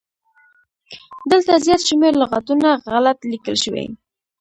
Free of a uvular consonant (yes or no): yes